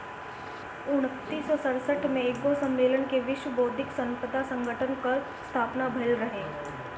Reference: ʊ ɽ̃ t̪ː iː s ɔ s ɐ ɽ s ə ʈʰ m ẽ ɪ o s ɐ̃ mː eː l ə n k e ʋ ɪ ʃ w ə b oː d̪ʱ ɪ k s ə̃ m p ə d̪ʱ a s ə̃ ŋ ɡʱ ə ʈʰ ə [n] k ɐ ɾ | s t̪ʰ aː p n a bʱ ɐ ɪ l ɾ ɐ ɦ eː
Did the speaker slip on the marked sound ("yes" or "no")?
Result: no